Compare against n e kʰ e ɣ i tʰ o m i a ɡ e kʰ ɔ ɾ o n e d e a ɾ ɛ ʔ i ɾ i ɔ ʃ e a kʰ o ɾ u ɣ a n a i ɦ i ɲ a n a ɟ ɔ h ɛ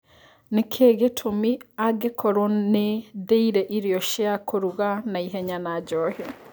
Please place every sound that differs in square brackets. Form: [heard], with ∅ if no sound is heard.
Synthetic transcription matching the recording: n e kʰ e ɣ [e] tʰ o m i a ɡ e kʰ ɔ ɾ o n e d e [i] ɾ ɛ ʔ i ɾ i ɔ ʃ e a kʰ o ɾ u ɣ a n a i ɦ [ɛ] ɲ a n a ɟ ɔ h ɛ